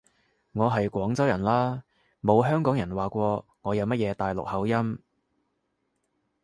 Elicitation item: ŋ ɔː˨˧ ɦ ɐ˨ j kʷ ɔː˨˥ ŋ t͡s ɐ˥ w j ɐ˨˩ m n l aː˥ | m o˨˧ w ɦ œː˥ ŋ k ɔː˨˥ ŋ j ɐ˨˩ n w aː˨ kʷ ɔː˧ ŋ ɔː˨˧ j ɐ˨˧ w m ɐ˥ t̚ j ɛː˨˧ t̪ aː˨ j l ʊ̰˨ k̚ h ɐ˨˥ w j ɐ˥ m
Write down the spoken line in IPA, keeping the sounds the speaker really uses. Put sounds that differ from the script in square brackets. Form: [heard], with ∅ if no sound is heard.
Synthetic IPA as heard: ŋ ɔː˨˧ ɦ ɐ˨ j kʷ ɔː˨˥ ŋ t͡s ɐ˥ w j ɐ˨˩ [∅] n l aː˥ | m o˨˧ w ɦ œː˥ ŋ k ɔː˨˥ ŋ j ɐ˨˩ n w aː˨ kʷ ɔː˧ ŋ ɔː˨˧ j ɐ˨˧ w m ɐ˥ t̚ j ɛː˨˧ t̪ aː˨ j l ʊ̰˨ k̚ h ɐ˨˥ w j ɐ˥ m